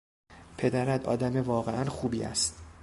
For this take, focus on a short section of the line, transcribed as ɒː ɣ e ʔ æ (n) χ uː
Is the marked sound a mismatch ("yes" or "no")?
no